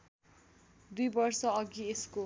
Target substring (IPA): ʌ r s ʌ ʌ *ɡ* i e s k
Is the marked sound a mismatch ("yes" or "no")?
no